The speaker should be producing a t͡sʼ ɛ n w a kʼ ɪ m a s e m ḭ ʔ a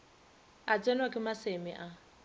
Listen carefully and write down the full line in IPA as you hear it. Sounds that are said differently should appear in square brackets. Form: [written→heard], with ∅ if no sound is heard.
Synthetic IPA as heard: a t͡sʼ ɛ n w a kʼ ɪ m a s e m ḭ ʔ a